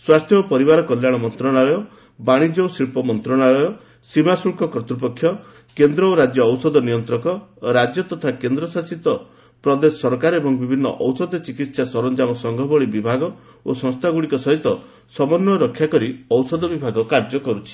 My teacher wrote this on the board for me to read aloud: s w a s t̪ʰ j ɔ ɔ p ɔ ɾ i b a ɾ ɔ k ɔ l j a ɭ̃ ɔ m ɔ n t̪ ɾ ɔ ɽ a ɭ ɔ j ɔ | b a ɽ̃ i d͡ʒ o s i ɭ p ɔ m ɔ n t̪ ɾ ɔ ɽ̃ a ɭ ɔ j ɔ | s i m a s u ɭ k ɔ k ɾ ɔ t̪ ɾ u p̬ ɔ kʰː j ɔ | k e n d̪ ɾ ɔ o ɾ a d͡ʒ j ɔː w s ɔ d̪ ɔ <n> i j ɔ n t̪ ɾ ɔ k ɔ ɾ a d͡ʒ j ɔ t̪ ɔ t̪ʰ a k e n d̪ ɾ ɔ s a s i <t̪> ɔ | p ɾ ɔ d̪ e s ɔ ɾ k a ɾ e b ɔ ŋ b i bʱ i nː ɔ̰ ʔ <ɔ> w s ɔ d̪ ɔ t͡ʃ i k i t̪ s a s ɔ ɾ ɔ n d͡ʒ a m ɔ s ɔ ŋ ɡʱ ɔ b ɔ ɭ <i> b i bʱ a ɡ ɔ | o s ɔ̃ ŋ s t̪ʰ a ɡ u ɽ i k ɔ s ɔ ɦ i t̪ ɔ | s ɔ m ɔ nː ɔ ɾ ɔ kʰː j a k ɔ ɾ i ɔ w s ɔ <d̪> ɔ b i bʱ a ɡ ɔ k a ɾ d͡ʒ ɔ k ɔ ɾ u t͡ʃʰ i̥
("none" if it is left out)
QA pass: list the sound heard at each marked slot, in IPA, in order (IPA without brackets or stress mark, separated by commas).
n, t̪, ɔ, i, d̪